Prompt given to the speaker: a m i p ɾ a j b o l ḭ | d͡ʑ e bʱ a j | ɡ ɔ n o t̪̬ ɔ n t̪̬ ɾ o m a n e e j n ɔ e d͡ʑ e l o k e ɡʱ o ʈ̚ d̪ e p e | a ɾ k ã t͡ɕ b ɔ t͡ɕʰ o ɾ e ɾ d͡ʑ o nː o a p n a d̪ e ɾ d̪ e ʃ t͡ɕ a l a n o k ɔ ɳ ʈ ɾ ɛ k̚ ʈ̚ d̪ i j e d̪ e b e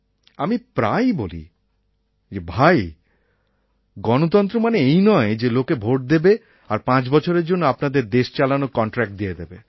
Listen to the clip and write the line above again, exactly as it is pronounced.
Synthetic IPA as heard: a m i p ɾ a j b o l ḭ | d͡ʑ e bʱ a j | ɡ ɔ n o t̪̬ ɔ n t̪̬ ɾ o m a n e e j n ɔ e d͡ʑ e l o k e bʱ o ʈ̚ d̪ e b e | a ɾ p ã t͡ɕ b ɔ t͡ɕʰ o ɾ e ɾ d͡ʑ o nː o a p n a d̪ e ɾ d̪ e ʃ t͡ɕ a l a n o k ɔ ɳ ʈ ɾ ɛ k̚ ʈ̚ d̪ i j e d̪ e b e